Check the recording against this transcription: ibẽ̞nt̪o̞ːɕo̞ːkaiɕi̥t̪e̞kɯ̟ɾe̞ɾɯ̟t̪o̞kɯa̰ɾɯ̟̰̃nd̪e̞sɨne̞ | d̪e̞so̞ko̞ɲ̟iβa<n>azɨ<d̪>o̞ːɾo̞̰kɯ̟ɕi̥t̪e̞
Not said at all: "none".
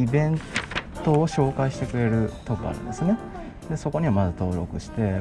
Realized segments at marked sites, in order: m, t̪

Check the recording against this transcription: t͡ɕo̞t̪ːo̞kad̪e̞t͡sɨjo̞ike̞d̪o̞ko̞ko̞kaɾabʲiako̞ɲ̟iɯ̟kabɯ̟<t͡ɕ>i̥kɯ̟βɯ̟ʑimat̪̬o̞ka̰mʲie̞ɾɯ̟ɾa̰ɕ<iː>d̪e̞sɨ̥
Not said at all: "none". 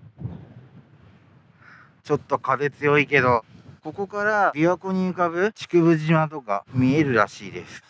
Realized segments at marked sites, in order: t͡ɕ, iː

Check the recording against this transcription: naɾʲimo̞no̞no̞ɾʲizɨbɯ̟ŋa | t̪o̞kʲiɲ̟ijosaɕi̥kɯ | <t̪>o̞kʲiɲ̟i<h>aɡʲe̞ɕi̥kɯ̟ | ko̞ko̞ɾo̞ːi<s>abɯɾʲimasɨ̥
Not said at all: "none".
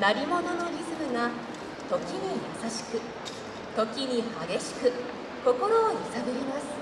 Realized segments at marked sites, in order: t̪, h, s

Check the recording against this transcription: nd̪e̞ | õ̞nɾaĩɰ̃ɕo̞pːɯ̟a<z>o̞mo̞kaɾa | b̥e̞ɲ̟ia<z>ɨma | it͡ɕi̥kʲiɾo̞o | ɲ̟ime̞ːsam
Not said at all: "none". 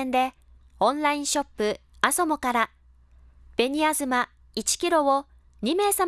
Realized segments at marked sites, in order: s, z

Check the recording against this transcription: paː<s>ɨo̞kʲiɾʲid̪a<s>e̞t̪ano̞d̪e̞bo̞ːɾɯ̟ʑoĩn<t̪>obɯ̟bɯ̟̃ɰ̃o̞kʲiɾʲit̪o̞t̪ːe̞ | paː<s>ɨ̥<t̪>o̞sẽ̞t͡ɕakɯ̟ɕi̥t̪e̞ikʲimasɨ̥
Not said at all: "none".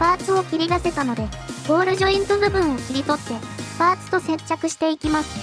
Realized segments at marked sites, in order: t͡s, s, t̪, t͡s, t̪

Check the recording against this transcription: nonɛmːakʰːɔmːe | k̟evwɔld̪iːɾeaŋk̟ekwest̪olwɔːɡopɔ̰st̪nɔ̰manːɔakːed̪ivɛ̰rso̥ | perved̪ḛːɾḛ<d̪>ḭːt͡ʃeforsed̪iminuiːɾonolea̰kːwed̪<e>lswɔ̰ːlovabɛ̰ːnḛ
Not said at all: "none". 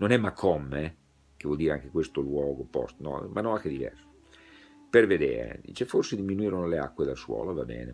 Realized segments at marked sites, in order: d̪, a

